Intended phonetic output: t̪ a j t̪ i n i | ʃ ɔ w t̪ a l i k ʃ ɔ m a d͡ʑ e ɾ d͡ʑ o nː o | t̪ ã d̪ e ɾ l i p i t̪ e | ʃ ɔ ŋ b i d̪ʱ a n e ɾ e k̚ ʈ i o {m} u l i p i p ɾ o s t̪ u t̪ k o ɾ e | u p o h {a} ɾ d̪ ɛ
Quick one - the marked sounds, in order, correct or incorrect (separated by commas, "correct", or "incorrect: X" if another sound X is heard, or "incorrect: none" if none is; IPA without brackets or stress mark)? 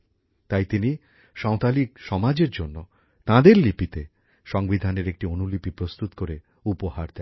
incorrect: n, correct